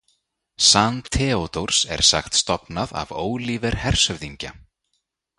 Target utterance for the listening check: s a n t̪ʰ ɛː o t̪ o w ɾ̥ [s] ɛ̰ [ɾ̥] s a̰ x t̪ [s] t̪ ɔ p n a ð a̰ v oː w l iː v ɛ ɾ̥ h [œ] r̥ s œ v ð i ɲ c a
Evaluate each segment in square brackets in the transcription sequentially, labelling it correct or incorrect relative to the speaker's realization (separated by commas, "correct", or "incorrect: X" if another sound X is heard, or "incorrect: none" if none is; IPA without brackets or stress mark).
correct, correct, correct, incorrect: ɛ